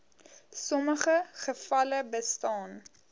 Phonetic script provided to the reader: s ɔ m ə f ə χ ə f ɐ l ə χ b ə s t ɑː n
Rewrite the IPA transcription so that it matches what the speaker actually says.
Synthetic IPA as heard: s ɔ m ə χ ə χ ə f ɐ l ə b ə s t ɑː n